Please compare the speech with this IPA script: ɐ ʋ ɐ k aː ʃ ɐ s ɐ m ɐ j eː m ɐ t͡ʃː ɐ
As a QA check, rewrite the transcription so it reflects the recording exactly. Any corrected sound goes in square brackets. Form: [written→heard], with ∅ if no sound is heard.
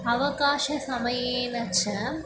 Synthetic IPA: ɐ ʋ ɐ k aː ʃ ɐ s ɐ m ɐ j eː [m→n] ɐ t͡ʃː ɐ